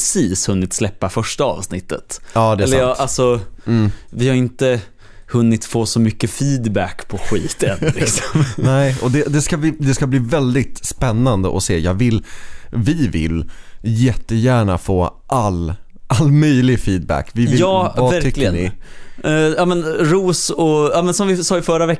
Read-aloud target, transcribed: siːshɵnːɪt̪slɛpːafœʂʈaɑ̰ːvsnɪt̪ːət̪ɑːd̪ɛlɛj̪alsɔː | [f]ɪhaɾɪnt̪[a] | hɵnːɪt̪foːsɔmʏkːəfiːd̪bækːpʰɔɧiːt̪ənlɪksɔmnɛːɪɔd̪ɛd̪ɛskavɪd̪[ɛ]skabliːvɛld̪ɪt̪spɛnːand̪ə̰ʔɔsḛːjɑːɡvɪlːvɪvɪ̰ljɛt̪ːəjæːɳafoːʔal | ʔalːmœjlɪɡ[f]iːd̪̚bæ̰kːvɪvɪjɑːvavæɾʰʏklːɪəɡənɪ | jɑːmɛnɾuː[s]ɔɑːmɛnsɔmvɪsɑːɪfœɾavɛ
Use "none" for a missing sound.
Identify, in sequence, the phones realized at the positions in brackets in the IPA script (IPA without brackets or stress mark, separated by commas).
v, ə, ɛ, f, s